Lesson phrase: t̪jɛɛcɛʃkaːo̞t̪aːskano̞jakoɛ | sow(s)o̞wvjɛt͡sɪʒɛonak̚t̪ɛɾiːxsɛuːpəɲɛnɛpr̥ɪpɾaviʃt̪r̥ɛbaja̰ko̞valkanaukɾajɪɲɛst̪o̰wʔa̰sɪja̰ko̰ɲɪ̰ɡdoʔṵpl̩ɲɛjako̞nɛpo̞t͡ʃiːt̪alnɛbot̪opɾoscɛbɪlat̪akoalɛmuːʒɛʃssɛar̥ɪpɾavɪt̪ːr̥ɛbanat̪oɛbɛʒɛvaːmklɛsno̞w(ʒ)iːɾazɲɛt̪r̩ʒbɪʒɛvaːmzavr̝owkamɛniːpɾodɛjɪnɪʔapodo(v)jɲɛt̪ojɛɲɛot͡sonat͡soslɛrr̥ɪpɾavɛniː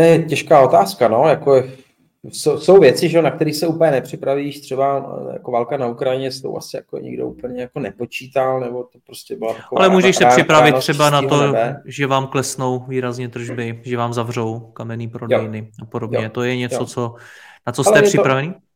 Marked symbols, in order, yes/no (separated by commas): yes, no, no